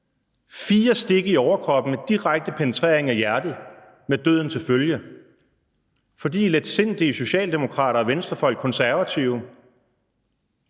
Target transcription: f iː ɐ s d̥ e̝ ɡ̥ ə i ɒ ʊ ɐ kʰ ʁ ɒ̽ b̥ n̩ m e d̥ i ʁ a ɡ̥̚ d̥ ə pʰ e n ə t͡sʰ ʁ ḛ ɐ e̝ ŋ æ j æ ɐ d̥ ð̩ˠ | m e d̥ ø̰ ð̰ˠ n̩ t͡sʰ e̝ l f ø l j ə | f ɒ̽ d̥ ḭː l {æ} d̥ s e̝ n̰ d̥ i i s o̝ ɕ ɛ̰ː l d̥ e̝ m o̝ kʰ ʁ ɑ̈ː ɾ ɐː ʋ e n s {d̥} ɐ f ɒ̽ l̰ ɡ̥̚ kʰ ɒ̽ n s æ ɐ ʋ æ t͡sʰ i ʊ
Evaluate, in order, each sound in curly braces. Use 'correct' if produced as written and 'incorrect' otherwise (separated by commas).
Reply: incorrect, correct